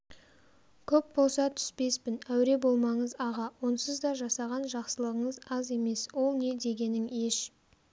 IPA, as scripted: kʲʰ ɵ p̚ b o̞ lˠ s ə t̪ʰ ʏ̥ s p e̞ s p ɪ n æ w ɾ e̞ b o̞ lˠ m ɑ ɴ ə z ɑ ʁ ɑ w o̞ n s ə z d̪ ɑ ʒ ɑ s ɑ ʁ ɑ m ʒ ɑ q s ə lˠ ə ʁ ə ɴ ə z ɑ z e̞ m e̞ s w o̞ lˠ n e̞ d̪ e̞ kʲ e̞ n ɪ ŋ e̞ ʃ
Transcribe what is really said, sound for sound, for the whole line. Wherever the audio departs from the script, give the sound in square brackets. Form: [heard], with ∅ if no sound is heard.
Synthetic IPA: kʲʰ ɵ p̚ b o̞ lˠ s [ɑ] t̪ʰ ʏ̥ s p e̞ s p ɪ n æ w ɾ e̞ b o̞ lˠ m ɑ ɴ ə z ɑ ʁ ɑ w o̞ n s ə z d̪ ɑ ʒ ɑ s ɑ ʁ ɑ [n] ʒ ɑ q s ə lˠ ə ʁ ə ɴ ə z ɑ z e̞ m e̞ s w o̞ lˠ n e̞ d̪ e̞ [ɡʲ] e̞ n ɪ ŋ e̞ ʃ